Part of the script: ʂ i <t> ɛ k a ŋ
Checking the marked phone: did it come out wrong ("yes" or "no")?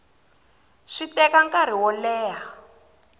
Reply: no